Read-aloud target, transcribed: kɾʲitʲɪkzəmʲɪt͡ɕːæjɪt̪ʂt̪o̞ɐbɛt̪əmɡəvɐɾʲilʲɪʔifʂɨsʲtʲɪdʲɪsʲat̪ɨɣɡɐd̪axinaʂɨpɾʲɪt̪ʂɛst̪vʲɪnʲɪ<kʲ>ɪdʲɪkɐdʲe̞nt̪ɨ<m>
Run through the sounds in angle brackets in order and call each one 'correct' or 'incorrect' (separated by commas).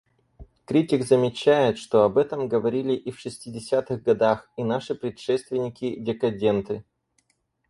correct, incorrect